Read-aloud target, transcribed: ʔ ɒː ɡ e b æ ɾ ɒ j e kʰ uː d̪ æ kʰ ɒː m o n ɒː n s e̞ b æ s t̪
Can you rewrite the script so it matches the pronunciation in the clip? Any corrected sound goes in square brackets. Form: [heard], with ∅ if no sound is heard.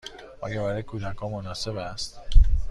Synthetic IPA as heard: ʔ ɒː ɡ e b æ ɾ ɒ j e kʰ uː d̪ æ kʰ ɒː m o n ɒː [∅] s e̞ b æ s t̪